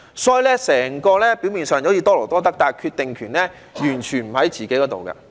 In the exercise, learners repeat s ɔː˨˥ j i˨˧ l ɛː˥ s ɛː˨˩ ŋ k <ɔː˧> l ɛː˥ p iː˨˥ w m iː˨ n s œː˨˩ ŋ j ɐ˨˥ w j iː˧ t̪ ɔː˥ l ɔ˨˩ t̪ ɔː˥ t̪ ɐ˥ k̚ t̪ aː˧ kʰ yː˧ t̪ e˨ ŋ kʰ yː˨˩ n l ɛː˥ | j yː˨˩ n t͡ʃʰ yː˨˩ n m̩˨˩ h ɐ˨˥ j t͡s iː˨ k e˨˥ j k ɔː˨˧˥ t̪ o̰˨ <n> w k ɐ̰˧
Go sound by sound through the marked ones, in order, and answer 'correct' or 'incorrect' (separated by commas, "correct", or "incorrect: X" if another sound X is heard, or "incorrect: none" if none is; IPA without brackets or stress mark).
correct, incorrect: none